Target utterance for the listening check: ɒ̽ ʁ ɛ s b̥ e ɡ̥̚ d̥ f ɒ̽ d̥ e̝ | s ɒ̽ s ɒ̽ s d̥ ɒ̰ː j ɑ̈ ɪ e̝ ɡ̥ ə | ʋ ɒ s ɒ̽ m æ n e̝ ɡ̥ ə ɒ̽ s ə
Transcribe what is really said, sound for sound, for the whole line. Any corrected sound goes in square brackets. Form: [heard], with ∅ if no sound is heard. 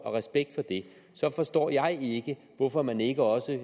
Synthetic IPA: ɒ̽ ʁ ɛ s b̥ e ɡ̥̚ d̥ f ɒ̽ d̥ e̝ | s ɒ̽ [f] ɒ̽ s d̥ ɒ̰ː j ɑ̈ ɪ e̝ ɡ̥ ə | ʋ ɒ [f] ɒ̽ m æ n e̝ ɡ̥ ə ɒ̽ s ə